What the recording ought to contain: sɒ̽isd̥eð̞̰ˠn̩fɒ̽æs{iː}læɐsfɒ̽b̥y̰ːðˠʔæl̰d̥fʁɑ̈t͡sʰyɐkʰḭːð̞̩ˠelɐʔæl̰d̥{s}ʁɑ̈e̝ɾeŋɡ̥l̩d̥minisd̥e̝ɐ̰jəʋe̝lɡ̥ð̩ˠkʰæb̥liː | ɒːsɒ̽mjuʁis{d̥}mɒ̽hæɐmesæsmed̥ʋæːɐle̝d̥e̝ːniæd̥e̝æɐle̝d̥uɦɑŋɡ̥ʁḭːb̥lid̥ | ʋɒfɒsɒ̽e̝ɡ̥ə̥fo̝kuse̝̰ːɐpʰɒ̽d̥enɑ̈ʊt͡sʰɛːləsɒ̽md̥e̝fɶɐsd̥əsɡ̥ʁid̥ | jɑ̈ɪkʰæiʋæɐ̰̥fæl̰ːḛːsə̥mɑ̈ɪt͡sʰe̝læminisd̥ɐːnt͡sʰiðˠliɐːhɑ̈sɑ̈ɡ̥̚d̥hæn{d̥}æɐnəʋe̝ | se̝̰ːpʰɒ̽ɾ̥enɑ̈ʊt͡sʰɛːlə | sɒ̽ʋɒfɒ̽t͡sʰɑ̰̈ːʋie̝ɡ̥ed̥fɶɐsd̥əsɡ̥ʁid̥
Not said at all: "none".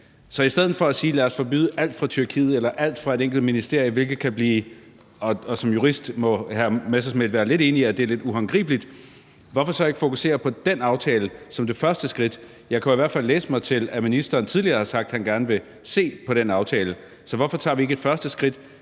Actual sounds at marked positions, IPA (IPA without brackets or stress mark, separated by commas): iː, f, d̥, ɡ̥